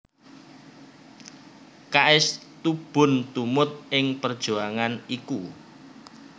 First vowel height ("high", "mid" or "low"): low